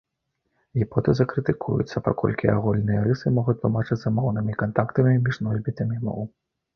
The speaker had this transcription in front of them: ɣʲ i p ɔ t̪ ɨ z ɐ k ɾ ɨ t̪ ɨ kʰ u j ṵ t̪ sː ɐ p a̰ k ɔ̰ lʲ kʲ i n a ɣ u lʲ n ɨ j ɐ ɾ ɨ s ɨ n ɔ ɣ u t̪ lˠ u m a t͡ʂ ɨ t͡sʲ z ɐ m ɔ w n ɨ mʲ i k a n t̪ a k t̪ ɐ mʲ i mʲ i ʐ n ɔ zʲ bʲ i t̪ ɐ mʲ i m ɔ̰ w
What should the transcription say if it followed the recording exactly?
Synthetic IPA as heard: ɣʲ i p ɔ t̪ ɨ z ɐ k ɾ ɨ t̪ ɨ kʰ u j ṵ t̪ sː ɐ p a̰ k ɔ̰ lʲ kʲ i a ɣ u lʲ n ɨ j ɐ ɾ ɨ s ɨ m ɔ ɣ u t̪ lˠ u m a t͡ʂ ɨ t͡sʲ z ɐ m ɔ w n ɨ mʲ i k a n t̪ a k t̪ ɐ mʲ i mʲ i ʐ n ɔ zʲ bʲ i t̪ ɐ mʲ i m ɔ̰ w